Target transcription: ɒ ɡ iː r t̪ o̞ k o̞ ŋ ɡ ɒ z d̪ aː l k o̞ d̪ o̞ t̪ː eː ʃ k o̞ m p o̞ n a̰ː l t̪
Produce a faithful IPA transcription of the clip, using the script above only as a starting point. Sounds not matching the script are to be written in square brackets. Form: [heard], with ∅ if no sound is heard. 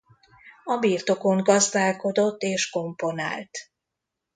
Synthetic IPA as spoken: ɒ [b] iː r t̪ o̞ k o̞ ŋ ɡ ɒ z d̪ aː l k o̞ d̪ o̞ t̪ː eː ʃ k o̞ m p o̞ n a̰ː l t̪